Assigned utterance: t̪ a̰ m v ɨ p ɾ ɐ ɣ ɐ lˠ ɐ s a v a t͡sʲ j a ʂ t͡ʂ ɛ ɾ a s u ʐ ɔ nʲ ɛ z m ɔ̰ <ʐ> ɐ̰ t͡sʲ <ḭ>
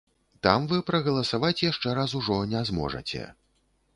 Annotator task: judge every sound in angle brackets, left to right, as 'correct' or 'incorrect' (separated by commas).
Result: correct, incorrect